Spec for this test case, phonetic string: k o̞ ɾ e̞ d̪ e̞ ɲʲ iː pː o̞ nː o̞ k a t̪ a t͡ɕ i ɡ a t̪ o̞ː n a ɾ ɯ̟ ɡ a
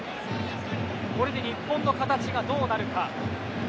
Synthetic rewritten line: k o̞ ɾ e̞ d̪ e̞ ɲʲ i pː õ̞ nː o̞ k a t̪ a t͡ɕ i ɡ a d̪ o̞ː n a ɾ ɯ̟ k a